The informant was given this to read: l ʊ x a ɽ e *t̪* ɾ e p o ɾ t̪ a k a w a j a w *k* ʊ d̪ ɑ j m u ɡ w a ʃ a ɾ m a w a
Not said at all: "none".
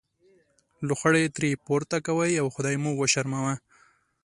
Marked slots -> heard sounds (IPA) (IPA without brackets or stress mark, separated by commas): t̪, x